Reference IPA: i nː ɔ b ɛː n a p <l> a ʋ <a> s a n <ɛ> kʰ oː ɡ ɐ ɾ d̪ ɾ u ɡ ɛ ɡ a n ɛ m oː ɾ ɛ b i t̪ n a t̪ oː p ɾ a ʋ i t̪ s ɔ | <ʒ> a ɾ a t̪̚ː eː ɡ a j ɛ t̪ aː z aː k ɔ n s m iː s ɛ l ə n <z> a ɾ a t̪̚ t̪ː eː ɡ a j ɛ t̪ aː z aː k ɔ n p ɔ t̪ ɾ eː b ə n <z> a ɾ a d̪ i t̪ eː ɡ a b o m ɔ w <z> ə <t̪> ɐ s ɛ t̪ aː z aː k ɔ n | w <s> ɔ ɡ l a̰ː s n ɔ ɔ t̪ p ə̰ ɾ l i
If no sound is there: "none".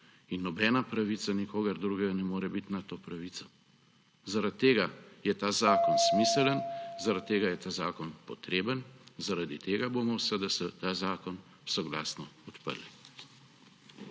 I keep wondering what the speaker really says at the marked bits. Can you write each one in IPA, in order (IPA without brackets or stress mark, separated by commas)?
ɾ, i, i, z, z, z, s, d̪, s